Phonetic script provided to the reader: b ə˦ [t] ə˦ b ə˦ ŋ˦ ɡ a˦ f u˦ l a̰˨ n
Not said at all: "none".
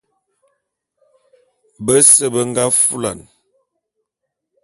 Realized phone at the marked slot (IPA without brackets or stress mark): s